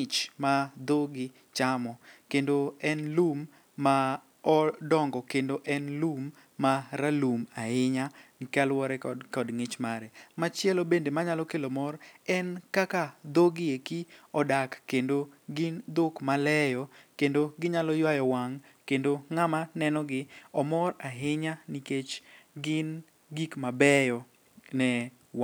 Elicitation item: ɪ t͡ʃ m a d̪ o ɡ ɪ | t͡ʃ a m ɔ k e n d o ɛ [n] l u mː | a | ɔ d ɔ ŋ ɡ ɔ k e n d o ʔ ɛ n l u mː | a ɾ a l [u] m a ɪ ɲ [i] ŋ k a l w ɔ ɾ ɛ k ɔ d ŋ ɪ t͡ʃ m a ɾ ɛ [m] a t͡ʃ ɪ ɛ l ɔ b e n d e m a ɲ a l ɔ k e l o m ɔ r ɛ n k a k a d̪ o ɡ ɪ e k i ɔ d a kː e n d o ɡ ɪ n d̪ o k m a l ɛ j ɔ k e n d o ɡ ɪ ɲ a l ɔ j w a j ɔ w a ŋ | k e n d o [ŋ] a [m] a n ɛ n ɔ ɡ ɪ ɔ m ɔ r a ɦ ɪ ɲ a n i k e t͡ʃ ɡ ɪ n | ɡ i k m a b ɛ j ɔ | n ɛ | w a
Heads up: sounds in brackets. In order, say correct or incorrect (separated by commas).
correct, correct, incorrect, correct, correct, correct